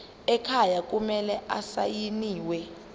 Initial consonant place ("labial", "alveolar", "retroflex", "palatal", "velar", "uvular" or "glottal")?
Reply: velar